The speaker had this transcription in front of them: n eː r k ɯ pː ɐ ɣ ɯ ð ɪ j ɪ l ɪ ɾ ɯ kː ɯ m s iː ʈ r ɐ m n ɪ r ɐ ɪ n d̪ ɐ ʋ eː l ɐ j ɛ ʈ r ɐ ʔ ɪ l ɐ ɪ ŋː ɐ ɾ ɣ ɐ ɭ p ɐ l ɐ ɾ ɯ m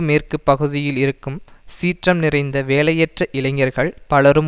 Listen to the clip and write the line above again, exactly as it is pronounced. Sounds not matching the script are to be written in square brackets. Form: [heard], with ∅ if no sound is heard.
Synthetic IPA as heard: [m] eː r k ɯ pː ɐ ɣ ɯ ð ɪ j ɪ l ɪ ɾ ɯ kː ɯ m s iː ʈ r ɐ m n ɪ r ɐ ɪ n d̪ ɐ ʋ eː l ɐ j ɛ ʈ r ɐ ʔ ɪ l ɐ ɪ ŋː ɐ ɾ ɣ ɐ ɭ p ɐ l ɐ ɾ ɯ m